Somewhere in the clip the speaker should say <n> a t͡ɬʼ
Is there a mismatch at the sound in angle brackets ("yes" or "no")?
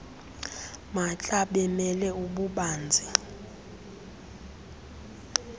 yes